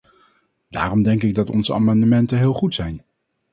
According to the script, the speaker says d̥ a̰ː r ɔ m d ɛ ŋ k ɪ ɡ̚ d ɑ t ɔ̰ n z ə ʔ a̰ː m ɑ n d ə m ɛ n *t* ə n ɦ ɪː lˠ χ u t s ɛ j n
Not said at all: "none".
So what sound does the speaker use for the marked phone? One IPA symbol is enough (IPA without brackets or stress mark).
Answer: t